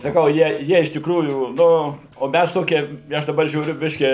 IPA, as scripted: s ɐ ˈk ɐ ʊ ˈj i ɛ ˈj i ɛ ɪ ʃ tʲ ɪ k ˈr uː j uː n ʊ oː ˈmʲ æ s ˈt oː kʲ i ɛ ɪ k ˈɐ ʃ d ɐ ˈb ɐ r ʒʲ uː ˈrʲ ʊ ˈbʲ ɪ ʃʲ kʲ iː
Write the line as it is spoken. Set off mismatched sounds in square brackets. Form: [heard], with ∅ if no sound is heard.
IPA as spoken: s ɐ ˈk ɐ ʊ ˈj i ɛ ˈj i ɛ ɪ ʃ tʲ ɪ k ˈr uː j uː n ʊ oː ˈmʲ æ s ˈt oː kʲ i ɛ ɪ [∅] ˈɐ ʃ d ɐ ˈb ɐ r ʒʲ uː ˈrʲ ʊ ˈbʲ ɪ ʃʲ kʲ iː